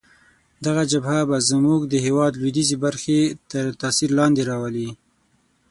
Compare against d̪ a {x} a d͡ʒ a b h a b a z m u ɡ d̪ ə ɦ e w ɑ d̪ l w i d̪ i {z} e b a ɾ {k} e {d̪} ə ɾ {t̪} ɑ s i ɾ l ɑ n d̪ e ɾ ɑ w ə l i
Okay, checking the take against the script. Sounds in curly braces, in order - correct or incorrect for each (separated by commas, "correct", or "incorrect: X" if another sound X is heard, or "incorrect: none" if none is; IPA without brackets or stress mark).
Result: incorrect: ɣ, correct, incorrect: x, incorrect: t̪, correct